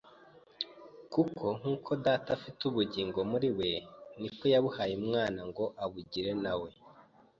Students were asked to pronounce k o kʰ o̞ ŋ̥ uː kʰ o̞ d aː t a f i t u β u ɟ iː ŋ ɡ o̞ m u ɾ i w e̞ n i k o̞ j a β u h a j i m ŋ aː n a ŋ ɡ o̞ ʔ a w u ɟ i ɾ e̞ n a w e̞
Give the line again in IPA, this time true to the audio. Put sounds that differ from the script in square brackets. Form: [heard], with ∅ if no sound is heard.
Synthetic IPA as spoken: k [u] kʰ o̞ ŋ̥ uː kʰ o̞ d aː t a f i t u β u ɟ iː ŋ ɡ o̞ m u ɾ i w e̞ n i k o̞ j a β u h a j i m ŋ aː n a ŋ ɡ o̞ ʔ a [β] u ɟ i ɾ e̞ n a w e̞